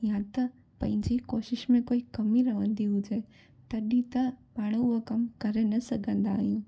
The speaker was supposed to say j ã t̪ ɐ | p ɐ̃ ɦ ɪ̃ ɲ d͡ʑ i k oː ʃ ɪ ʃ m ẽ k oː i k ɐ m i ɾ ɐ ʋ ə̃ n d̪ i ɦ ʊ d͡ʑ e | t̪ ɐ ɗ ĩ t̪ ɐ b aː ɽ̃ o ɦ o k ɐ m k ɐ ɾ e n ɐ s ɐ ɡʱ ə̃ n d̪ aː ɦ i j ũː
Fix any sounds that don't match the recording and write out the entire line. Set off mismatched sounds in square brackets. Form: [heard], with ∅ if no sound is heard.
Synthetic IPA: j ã t̪ ɐ | p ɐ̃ ɦ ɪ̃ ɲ d͡ʑ i k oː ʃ ɪ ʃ m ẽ k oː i k ɐ m i ɾ ɐ ʋ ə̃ n d̪ i ɦ ʊ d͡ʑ e | t̪ ɐ ɗ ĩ t̪ ɐ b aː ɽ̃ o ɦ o k ɐ m k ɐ ɾ e n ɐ s ɐ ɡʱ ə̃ n d̪ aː ɦ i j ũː